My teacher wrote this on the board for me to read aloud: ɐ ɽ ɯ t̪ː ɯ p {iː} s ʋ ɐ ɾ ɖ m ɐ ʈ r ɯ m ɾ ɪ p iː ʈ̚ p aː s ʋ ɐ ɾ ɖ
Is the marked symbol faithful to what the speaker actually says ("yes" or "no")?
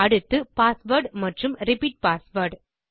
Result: no